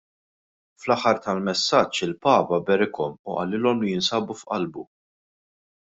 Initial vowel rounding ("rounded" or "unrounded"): unrounded